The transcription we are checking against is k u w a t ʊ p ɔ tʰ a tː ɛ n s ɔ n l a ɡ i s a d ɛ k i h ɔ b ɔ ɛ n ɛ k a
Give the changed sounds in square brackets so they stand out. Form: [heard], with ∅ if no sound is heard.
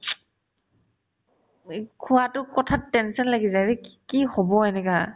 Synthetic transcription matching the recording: [kʰ] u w a t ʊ [k] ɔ tʰ a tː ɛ n s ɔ n l a ɡ i [z] a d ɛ k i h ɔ b ɔ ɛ n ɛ k a